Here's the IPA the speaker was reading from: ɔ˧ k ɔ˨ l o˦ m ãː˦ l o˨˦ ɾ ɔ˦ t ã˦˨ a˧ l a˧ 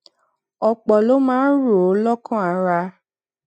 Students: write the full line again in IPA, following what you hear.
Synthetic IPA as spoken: ɔ˧ k͡p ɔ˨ l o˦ m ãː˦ ɾ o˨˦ l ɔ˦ k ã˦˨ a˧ ɾ a˧